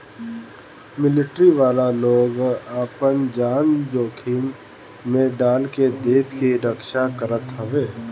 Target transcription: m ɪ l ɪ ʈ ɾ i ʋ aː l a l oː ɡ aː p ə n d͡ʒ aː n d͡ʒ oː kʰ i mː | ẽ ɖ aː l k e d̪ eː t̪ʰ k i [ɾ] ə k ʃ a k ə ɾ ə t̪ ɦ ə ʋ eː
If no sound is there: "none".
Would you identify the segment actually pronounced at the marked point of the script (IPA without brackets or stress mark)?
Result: ɾ